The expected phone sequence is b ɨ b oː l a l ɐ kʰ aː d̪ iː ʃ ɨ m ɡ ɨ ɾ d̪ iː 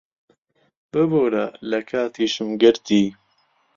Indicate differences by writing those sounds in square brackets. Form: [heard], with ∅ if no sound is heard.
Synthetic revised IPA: b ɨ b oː [ɾ] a l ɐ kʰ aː [t̪] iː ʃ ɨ m ɡ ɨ ɾ [t̪] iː